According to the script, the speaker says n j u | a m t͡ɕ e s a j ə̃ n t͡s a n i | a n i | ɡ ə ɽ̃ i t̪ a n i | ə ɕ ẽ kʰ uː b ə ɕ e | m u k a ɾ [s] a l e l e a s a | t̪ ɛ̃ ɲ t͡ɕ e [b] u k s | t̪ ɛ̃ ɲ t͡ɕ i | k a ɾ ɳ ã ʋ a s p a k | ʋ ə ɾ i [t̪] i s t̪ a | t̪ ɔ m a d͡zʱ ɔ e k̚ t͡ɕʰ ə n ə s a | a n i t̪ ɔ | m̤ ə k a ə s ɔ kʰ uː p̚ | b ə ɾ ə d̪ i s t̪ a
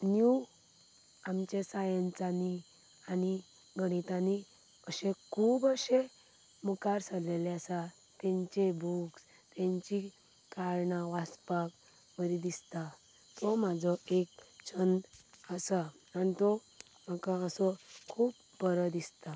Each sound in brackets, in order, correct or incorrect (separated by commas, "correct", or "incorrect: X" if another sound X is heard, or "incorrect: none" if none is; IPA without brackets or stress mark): correct, correct, incorrect: d̪